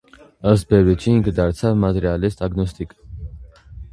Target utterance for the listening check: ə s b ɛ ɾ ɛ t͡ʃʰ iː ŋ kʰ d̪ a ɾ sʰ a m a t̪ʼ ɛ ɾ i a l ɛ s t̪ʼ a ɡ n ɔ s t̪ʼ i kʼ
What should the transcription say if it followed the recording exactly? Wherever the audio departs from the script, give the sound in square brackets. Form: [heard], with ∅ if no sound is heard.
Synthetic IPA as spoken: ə s b ɛ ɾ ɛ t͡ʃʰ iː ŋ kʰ d̪ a ɾ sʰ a m a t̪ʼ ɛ ɾ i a l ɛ s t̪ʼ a ɡ n ɔ s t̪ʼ i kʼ